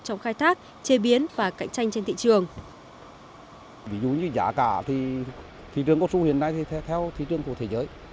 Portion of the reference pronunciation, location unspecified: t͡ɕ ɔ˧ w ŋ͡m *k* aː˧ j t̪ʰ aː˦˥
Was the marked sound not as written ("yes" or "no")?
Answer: yes